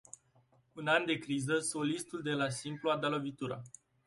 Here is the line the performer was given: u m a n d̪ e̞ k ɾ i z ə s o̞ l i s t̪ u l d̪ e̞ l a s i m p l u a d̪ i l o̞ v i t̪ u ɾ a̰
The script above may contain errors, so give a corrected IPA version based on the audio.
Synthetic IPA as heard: u n a n d̪ e̞ k ɾ i z ə s o̞ l i s t̪ u l d̪ e̞ l a s i m p l u a d̪ a l o̞ v i t̪ u ɾ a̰